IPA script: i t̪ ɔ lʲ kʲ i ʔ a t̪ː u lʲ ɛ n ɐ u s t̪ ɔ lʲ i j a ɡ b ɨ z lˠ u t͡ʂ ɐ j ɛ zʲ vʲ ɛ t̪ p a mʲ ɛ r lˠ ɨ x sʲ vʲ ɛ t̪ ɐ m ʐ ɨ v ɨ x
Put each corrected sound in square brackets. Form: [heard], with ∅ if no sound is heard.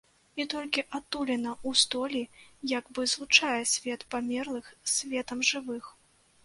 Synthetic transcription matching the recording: i t̪ ɔ lʲ kʲ i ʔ a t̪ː u lʲ ɛ n ɐ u s t̪ ɔ lʲ i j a ɡ b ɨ z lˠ u t͡ʂ [a] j ɛ [sʲ] vʲ ɛ t̪ p a mʲ ɛ r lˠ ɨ x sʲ vʲ ɛ t̪ ɐ m ʐ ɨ v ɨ x